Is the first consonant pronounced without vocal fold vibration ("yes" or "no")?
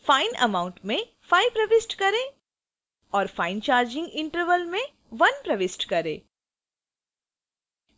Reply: yes